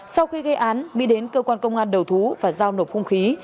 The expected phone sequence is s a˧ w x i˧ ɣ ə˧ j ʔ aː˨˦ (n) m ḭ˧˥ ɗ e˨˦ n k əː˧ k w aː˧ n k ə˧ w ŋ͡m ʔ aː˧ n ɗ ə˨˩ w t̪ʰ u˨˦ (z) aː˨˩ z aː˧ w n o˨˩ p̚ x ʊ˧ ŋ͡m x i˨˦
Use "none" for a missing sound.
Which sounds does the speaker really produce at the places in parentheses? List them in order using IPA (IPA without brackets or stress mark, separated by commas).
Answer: n, v